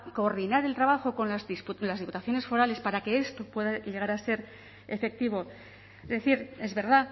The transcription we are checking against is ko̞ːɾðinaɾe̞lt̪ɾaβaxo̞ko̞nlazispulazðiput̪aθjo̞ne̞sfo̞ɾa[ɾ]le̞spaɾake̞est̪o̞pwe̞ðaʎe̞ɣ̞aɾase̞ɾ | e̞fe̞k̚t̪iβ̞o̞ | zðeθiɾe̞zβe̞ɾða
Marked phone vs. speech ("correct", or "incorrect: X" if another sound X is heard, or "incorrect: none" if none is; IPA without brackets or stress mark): incorrect: none